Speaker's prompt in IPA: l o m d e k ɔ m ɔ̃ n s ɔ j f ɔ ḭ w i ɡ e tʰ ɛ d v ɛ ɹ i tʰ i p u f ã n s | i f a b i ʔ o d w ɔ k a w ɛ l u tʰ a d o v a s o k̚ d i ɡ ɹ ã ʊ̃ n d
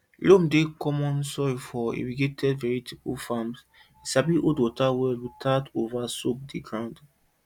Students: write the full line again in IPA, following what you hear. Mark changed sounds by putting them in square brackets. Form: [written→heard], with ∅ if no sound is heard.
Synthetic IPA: l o m d e k ɔ m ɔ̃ n s ɔ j f ɔ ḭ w i ɡ e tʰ ɛ d v ɛ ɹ i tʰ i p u f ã [n→m] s | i [f→s] a b i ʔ o d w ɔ [k→t] a w ɛ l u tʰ a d o v a s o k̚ d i ɡ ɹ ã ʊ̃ n d